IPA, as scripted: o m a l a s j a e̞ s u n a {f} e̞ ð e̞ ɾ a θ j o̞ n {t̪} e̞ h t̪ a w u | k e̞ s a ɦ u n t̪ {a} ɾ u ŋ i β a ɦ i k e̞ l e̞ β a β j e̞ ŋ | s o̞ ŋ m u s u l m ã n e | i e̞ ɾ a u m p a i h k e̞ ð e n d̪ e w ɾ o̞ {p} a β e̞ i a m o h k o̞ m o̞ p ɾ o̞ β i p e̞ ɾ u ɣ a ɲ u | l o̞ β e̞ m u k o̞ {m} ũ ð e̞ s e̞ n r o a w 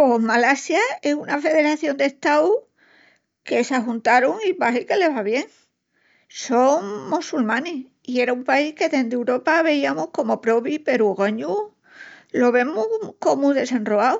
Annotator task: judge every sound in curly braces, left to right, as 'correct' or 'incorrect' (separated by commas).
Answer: correct, incorrect, correct, correct, correct